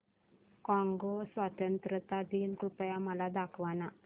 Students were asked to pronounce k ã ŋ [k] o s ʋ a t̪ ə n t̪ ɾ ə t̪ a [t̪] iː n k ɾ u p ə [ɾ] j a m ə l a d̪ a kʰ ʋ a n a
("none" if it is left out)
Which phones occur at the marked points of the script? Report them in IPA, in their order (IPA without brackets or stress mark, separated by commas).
ɡ, d̪, none